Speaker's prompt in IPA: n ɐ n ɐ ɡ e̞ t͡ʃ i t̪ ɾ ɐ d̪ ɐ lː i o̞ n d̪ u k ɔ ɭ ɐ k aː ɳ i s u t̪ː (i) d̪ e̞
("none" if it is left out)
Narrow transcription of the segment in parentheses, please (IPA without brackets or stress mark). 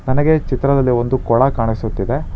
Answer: i